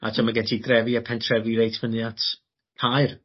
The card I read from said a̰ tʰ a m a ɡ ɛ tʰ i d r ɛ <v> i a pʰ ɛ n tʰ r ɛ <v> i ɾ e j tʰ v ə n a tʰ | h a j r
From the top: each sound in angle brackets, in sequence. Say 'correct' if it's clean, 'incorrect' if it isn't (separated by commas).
correct, correct